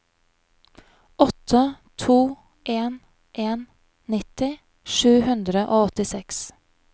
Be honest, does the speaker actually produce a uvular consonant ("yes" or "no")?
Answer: no